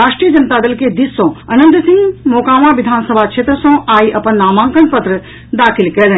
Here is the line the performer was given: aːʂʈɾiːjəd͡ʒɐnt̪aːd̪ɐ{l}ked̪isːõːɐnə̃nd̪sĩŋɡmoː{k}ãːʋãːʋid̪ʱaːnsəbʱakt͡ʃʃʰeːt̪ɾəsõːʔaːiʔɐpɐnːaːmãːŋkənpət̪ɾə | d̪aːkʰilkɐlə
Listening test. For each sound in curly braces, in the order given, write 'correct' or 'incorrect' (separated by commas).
correct, correct